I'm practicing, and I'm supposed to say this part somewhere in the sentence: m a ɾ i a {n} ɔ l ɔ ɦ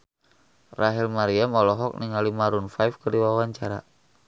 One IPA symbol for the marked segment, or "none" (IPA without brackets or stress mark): m